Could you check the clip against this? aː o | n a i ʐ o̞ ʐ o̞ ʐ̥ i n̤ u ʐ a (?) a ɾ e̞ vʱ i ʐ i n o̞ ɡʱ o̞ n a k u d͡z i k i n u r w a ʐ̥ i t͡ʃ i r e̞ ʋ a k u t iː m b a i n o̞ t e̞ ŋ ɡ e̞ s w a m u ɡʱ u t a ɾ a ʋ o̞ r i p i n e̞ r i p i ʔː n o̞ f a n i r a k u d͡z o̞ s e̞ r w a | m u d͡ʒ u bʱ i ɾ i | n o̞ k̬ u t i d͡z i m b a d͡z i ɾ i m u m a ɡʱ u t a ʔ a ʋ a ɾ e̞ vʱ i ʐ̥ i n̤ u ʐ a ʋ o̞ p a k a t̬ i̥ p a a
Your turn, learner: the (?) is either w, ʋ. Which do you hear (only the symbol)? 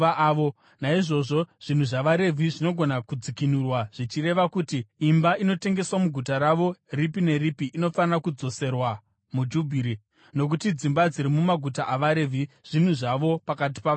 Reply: ʋ